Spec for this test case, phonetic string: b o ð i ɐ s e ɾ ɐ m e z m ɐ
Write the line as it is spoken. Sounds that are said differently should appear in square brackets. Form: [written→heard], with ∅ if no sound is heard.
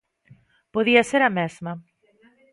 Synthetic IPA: [b→p] o ð i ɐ s e ɾ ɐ m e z m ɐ